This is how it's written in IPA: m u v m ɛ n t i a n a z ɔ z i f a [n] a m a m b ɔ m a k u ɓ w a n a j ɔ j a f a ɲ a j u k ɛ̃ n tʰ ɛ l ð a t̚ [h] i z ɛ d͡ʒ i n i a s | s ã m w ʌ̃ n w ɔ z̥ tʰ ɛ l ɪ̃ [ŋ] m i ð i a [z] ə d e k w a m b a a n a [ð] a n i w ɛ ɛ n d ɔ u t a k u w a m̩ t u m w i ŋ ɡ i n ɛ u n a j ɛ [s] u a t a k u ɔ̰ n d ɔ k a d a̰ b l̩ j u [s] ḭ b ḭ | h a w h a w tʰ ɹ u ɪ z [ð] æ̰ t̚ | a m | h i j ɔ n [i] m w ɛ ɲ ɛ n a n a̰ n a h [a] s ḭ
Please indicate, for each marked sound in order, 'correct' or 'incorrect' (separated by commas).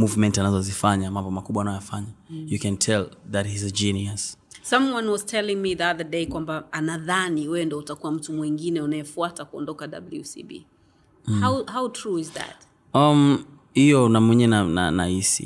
incorrect, correct, correct, incorrect, correct, incorrect, correct, correct, incorrect, incorrect